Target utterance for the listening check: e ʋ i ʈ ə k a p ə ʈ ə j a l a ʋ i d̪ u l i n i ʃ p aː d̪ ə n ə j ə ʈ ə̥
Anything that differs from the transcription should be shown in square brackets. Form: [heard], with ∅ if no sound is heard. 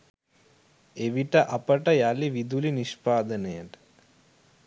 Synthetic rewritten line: e ʋ i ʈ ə [ʔ] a p ə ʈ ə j a l [i] ʋ i d̪ u l i n i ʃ p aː d̪ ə n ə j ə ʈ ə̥